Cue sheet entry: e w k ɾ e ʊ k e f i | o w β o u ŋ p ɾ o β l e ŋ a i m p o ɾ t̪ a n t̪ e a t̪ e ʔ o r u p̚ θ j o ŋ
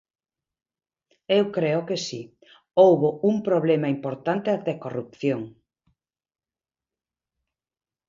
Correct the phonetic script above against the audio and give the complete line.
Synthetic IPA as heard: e w k ɾ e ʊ k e s i | o w β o u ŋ p ɾ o β l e m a i m p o ɾ t̪ a n t̪ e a t̪ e k o r u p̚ θ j o ŋ